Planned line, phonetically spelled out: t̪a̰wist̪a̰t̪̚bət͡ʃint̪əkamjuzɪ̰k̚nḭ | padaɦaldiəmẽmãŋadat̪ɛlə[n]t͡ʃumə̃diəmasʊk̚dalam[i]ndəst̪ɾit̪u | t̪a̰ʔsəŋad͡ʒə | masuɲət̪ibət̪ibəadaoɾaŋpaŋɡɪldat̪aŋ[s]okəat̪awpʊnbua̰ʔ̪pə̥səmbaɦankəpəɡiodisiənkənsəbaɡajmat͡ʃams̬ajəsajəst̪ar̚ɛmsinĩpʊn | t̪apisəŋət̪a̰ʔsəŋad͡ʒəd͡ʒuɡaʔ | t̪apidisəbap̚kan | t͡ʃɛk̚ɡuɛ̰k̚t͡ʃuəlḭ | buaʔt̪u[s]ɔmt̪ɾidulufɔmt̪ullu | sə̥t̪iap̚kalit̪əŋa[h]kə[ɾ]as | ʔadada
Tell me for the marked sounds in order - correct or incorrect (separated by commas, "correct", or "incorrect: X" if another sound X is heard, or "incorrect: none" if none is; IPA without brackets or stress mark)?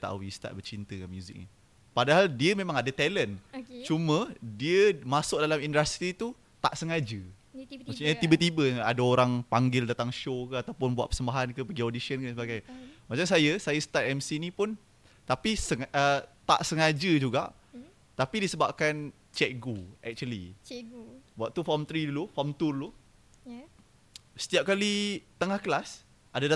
correct, correct, incorrect: ʃ, incorrect: f, correct, incorrect: l